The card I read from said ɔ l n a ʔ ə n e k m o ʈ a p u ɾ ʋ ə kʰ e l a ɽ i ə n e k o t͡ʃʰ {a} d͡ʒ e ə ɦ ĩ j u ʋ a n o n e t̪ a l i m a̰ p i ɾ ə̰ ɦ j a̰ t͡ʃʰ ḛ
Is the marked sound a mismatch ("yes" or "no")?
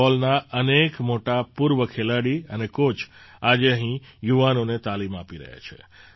no